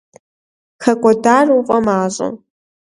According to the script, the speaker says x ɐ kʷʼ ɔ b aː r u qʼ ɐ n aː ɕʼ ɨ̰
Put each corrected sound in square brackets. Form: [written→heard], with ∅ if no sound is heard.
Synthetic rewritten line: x ɐ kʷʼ ɔ [b→d] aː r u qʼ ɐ [n→m] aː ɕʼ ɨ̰